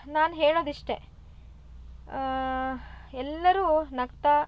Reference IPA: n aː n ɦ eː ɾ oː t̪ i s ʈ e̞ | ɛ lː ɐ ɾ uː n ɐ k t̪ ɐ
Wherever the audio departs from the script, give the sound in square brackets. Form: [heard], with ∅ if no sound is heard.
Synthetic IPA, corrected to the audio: n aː n ɦ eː [ɭ] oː [d̪] i [ʂ] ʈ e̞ | ɛ lː ɐ ɾ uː n ɐ k t̪ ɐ